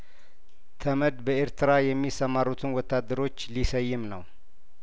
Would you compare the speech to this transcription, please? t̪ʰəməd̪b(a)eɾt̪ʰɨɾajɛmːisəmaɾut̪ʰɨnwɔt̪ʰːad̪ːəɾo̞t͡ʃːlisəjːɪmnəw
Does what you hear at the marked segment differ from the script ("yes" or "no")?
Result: yes